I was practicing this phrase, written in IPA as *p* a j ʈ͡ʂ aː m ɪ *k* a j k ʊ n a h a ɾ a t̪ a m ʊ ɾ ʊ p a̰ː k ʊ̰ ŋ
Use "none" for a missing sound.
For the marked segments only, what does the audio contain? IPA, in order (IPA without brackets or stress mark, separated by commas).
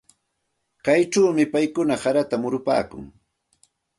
k, p